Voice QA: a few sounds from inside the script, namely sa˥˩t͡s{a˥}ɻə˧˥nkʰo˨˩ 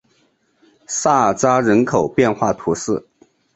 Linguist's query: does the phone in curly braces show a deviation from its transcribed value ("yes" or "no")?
no